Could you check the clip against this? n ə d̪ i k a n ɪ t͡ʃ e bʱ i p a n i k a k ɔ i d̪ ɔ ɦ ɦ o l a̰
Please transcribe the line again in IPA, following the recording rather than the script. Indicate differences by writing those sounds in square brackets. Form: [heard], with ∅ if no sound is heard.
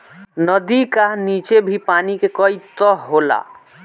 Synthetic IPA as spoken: n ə d̪ i k a n [i] t͡ʃ e bʱ i p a n i k [e] k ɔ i [t̪] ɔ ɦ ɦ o l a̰